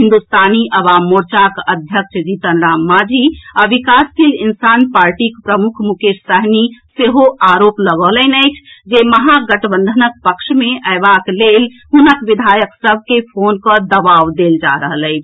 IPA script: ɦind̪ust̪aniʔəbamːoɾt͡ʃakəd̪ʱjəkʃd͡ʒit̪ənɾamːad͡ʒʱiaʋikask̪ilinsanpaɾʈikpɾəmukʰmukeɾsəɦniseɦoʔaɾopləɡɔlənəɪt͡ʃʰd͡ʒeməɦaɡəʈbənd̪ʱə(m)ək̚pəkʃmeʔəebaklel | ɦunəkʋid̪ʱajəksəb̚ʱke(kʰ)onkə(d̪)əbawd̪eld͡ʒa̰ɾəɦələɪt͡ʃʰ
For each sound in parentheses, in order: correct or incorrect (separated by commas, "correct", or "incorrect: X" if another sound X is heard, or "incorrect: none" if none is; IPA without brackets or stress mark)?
incorrect: n, incorrect: pʰ, correct